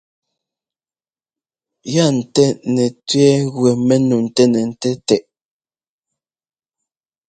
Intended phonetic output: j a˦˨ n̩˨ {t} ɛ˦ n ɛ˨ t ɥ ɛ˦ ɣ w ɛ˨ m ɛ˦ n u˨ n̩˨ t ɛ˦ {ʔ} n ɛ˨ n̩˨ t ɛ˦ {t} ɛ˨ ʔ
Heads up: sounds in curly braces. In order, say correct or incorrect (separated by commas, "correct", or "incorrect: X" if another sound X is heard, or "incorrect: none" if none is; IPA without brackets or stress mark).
correct, incorrect: none, correct